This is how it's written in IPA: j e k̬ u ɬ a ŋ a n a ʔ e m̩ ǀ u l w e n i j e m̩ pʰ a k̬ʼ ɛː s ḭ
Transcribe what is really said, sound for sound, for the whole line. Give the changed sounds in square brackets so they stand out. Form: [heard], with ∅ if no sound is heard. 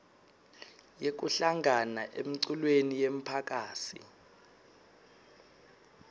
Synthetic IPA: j e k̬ u ɬ a ŋ a n a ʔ e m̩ ǀ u l w e n i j e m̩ pʰ a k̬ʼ [aː] s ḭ